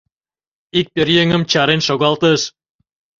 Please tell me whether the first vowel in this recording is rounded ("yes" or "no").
no